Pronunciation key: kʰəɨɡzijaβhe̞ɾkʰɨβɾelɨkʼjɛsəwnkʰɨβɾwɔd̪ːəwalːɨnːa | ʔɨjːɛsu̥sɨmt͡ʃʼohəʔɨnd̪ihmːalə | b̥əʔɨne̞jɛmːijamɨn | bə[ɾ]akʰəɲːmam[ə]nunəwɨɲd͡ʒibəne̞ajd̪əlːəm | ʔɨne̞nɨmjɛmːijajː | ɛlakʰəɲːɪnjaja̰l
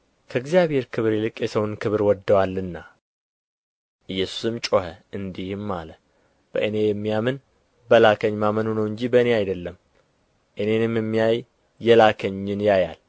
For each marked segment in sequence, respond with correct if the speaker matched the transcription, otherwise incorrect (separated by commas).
incorrect, correct